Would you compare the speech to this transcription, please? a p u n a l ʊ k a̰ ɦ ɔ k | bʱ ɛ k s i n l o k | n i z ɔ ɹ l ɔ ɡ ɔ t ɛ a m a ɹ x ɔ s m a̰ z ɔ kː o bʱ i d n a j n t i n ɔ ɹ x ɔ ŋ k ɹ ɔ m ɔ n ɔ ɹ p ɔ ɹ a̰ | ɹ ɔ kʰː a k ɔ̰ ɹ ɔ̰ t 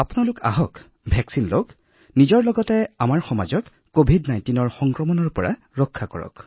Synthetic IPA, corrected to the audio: a p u n a l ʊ k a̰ ɦ ɔ k | bʱ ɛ k s i n l o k | n i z ɔ ɹ l ɔ ɡ ɔ t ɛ a m a ɹ x ɔ m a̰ z ɔ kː o bʱ i d n a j n t i n ɔ ɹ x ɔ ŋ k ɹ ɔ m ɔ n ɔ ɹ p ɔ ɹ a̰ | ɹ ɔ kʰː a k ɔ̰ ɹ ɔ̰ k

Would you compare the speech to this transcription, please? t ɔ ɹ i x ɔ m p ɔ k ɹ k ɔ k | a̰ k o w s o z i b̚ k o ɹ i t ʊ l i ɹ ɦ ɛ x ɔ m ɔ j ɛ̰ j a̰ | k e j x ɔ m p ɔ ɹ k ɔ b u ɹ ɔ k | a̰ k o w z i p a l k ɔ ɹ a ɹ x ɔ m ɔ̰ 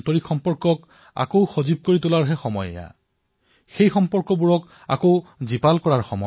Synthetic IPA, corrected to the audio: t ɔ ɹ i x ɔ m p ɔ ɹ k ɔ k | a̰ k o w x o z i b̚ k o ɹ i t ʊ l a ɹ ɦ ɛ x ɔ m ɔ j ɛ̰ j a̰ | x e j x ɔ m p ɔ ɹ k ɔ b u ɹ ɔ k | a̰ k o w z i p a l k ɔ ɹ a ɹ x ɔ m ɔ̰

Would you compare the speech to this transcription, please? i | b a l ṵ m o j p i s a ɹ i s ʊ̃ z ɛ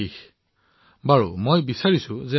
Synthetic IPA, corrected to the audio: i | b a ɹ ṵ m o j b i s a ɹ i s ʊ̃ z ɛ

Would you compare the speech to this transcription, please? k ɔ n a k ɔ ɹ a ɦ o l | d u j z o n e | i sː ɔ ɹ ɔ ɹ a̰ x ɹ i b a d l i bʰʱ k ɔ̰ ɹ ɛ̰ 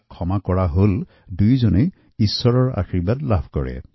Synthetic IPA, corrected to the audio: kʰ ɔ m a k ɔ ɹ a ɦ o l | d u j z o n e | i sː ɔ ɹ ɔ ɹ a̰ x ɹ i b a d l a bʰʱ k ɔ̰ ɹ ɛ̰

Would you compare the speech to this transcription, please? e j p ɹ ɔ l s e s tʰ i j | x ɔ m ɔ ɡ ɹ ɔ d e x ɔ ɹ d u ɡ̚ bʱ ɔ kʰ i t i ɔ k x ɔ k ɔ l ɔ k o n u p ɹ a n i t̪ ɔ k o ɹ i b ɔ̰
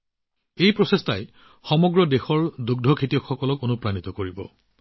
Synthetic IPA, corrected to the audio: e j p ɹ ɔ s e s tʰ a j | x ɔ m ɔ ɡ ɹ ɔ d e x ɔ ɹ d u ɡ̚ dʱ ɔ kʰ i t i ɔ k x ɔ k ɔ l ɔ k o n u p ɹ a n i t̪ ɔ k o ɹ i b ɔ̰

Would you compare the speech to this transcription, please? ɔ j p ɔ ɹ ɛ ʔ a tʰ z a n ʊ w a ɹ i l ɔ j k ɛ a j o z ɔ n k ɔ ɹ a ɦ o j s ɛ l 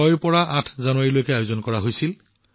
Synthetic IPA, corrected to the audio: ɔ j p ɔ ɹ a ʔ a tʰ z a n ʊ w a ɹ i l o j k ɛ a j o z ɔ n k ɔ ɹ a ɦ o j s i l

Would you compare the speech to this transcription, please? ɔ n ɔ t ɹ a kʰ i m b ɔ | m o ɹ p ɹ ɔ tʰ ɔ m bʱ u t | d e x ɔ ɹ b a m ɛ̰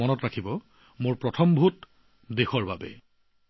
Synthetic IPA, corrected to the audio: ɔ n ɔ t ɹ a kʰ i b ɔ | m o ɹ p ɹ ɔ tʰ ɔ m bʱ u t | d e x ɔ ɹ b a b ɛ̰

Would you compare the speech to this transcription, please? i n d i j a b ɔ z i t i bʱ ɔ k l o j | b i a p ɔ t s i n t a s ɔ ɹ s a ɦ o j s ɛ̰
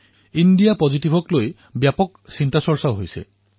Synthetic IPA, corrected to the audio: i n d i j a p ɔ z i t i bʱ ɔ k l o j | b j a p ɔ k s i n t a s ɔ ɹ s a ɦ o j s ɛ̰

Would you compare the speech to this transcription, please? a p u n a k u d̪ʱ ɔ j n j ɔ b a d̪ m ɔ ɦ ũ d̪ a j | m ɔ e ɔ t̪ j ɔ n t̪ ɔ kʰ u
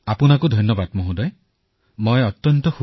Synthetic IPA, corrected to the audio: a p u n a k u d̪ʱ ɔ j n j ɔ b a d̪ m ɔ ɦ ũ d̪ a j | m ɔ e ɔ t̪ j ɔ n t̪ ɔ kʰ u

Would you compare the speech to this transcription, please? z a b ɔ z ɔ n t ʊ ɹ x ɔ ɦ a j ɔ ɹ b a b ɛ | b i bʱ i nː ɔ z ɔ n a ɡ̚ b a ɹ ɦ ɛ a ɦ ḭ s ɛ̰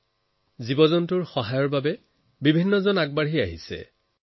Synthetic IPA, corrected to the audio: z i b ɔ z ɔ n t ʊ ɹ x ɔ ɦ a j ɔ ɹ b a b ɛ | b i bʱ i nː ɔ z ɔ n a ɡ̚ b a ɹ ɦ i a ɦ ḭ s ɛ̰

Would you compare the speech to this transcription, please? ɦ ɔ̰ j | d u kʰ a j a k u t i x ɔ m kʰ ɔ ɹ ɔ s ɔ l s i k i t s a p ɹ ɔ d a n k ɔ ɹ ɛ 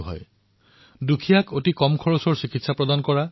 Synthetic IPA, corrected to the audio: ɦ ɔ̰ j | d u kʰ i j a k o t i k ɔ m kʰ ɔ ɹ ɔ s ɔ ɹ s i k i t s a p ɹ ɔ d a n k ɔ ɹ a

